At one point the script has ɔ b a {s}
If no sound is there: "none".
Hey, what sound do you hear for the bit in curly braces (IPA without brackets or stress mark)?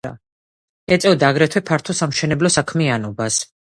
s